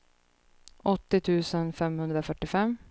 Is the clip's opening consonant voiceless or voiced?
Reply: voiceless